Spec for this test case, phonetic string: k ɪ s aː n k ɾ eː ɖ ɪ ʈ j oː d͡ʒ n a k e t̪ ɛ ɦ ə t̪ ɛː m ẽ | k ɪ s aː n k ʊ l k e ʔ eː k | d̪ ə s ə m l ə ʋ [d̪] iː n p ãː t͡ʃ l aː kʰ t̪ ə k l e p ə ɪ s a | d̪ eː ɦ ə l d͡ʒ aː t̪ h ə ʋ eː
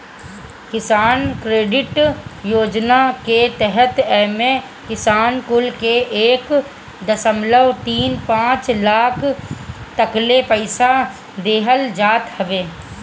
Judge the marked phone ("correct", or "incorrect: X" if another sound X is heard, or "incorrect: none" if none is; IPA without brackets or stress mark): incorrect: t̪